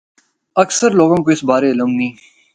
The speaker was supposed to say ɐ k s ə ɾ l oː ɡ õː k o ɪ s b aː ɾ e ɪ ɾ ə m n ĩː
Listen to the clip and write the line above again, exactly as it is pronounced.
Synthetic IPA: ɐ k s ə ɾ l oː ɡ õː k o ɪ s b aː ɾ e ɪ l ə m n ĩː